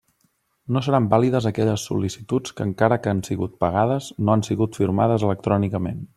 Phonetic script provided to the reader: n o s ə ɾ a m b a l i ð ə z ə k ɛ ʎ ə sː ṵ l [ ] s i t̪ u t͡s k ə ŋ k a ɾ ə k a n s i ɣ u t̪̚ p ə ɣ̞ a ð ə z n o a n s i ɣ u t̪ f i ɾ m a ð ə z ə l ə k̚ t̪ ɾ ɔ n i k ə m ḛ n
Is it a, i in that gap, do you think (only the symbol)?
i